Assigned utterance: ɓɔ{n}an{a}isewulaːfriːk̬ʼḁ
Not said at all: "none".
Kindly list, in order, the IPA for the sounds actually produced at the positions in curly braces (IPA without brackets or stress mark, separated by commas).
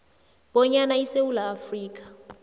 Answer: ɲ, a